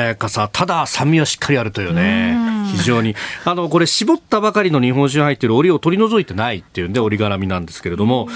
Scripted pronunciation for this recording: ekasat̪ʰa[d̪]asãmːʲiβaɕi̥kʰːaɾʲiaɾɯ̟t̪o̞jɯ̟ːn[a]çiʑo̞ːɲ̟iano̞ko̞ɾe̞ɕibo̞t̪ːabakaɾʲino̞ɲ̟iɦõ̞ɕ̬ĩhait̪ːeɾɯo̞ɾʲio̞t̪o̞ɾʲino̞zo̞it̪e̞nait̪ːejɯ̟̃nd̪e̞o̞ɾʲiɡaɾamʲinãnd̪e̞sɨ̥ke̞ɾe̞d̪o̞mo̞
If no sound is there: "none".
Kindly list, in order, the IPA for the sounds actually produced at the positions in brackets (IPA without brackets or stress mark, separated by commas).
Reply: d̪, e